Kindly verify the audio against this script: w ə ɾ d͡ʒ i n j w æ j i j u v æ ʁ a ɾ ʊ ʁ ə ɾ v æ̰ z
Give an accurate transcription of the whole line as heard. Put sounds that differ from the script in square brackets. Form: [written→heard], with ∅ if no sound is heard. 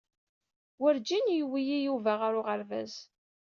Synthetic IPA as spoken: w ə ɾ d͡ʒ i n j w [æ→i] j i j u v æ ʁ a ɾ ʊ ʁ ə ɾ v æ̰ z

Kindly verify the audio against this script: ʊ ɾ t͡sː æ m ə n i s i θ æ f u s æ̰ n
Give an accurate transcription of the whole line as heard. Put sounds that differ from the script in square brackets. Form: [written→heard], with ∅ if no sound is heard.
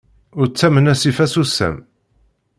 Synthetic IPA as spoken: ʊ ɾ t͡sː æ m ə n [i→æ] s i [θ→f] æ [f→s] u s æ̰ [n→m]

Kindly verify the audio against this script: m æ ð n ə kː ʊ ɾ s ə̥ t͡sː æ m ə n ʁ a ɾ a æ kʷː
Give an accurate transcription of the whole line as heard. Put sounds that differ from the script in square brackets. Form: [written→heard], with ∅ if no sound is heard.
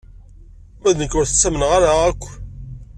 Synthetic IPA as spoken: m æ ð n ə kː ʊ ɾ [s→θ] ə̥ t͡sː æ m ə n ʁ a ɾ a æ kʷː

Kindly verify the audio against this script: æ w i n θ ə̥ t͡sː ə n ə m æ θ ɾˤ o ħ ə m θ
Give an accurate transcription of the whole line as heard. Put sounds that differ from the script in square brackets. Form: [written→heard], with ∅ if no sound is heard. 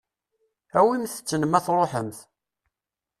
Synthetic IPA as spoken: æ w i [n→m] θ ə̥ t͡sː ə n ə m æ θ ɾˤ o ħ ə m θ

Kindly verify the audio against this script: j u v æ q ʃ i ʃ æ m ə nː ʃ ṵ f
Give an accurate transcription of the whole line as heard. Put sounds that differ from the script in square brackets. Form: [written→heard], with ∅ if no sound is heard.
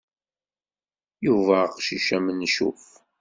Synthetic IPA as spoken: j u v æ q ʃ i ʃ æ m ə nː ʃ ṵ f

